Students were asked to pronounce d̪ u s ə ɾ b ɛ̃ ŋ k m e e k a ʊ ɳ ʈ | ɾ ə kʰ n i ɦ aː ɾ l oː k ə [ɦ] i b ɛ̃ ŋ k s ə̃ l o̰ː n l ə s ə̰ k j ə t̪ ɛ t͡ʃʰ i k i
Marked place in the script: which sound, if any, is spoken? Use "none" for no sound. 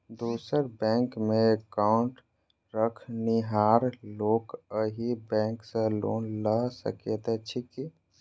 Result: ɦ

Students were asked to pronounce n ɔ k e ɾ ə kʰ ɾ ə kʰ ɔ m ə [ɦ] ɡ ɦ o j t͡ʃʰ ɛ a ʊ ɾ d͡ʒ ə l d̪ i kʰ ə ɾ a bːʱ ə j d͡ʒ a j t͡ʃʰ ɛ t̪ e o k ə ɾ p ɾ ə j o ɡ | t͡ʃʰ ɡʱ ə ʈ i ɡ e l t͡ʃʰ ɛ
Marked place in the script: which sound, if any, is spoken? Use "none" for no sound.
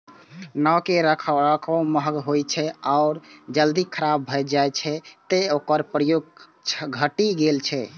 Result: ɦ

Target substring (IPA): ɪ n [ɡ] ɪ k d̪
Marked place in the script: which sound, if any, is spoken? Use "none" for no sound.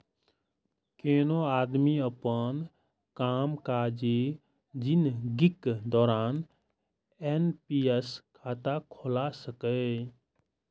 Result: ɡ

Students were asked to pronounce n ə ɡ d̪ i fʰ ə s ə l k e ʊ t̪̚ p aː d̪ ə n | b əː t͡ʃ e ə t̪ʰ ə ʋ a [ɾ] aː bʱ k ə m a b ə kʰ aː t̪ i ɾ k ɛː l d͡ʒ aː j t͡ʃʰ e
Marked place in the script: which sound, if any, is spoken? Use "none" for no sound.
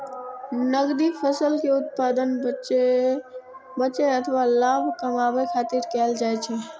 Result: l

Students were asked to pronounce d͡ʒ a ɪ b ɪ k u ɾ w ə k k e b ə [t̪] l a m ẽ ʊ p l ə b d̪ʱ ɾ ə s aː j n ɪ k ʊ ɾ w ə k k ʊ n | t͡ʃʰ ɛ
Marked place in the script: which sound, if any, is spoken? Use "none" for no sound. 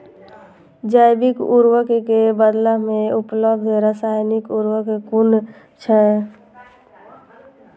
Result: d̪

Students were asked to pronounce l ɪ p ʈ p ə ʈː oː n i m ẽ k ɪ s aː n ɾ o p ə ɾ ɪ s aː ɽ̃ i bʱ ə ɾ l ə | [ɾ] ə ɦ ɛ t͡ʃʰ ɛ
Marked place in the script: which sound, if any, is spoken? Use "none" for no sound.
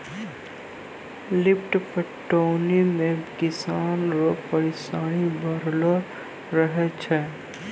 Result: ɾ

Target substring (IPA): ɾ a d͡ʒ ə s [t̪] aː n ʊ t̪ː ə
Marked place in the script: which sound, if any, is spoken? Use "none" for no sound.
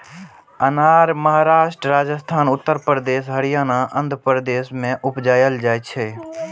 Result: t̪ʰ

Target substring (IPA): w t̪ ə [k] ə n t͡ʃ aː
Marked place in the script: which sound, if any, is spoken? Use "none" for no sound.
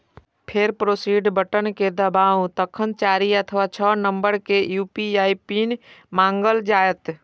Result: kʰ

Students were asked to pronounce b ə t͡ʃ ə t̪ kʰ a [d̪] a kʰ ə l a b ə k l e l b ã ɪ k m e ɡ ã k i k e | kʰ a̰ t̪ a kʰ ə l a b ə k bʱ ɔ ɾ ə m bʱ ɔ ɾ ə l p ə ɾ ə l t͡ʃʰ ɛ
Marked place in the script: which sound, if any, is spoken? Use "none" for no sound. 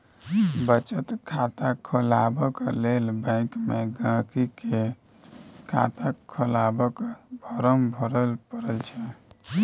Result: t̪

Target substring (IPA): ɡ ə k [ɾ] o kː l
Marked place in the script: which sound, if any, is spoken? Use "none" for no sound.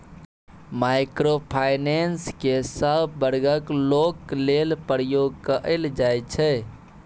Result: l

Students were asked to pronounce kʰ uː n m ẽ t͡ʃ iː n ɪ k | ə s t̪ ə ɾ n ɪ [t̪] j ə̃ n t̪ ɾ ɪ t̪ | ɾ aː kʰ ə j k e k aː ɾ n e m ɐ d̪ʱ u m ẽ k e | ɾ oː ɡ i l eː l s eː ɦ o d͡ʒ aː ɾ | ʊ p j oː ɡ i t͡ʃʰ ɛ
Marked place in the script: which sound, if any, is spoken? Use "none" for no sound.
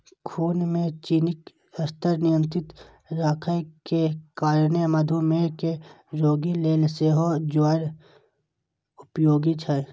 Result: none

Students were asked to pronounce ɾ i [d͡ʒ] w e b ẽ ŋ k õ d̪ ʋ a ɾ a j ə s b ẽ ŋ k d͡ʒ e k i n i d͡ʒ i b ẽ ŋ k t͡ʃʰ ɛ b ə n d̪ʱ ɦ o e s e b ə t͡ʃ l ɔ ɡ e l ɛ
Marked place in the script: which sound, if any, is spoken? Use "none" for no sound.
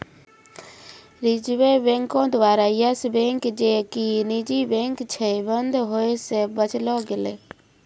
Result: d͡ʒ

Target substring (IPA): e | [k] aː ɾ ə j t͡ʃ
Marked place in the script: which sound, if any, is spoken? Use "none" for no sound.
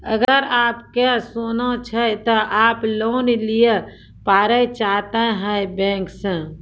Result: p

